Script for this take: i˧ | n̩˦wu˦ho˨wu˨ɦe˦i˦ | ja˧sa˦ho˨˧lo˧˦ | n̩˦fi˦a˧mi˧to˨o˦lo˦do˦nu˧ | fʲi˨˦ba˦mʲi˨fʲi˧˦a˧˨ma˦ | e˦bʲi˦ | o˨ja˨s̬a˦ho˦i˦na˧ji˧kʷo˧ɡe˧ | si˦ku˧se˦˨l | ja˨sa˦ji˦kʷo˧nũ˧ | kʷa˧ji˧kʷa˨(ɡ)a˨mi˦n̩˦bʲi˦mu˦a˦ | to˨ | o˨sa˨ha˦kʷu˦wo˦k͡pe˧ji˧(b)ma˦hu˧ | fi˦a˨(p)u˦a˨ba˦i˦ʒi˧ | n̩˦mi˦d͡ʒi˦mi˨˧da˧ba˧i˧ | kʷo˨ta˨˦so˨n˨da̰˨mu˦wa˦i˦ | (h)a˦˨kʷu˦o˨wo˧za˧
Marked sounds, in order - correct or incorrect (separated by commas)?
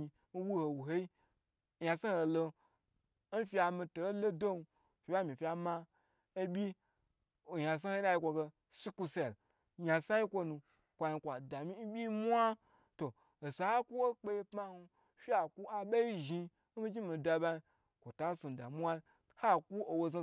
incorrect, incorrect, incorrect, correct